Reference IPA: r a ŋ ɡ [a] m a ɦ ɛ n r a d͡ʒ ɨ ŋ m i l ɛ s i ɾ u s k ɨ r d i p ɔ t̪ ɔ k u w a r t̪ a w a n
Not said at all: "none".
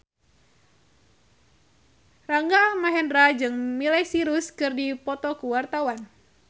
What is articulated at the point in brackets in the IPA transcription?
a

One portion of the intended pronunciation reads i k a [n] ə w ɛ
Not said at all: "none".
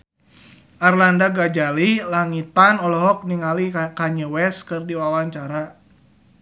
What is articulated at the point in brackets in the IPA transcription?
ɲ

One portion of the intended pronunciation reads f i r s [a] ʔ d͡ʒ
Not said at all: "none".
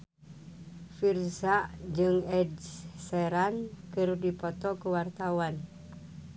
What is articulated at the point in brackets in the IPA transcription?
a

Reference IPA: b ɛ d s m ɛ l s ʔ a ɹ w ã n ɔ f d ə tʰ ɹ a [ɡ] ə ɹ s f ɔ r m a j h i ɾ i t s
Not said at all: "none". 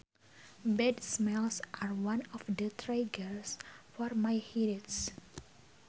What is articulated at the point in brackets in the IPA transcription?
ɡ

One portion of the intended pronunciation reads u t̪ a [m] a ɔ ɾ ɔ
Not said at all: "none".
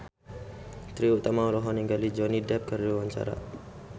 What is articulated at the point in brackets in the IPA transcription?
m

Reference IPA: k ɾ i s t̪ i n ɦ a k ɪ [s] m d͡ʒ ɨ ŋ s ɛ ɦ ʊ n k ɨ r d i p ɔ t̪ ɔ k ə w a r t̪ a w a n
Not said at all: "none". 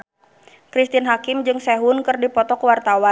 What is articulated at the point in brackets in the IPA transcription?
none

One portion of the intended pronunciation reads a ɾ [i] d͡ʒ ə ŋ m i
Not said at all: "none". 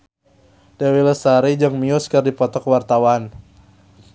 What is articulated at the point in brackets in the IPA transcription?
i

